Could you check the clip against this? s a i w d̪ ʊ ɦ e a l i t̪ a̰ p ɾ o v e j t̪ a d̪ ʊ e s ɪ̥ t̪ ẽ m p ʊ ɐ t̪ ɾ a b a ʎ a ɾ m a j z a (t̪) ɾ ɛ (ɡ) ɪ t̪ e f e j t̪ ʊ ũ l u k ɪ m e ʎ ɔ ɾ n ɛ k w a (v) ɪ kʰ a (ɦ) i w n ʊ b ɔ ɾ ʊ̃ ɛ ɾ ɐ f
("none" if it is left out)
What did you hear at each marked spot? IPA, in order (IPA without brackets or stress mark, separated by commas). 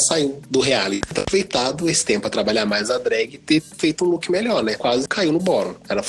d̪, ɡ, z, none